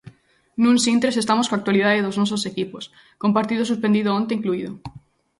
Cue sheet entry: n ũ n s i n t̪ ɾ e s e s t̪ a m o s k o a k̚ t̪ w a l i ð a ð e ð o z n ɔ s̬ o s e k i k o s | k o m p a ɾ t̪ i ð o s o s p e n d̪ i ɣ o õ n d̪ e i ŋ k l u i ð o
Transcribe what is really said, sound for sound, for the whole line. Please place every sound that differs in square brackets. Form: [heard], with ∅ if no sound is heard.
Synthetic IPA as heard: n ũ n s i n t̪ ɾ e s e s t̪ a m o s k o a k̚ t̪ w a l i ð a ð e ð o z n ɔ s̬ o s e k i [p] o s | k o m p a ɾ t̪ i ð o s [u] s p e n d̪ i [ð] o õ n [t̪] e i ŋ k l u i ð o